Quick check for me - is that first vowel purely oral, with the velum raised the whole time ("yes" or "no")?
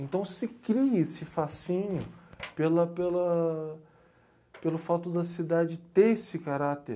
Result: no